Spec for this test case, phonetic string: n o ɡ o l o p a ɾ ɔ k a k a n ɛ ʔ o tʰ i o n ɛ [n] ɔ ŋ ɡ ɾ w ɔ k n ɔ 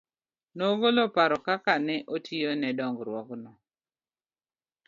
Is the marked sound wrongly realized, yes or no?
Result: yes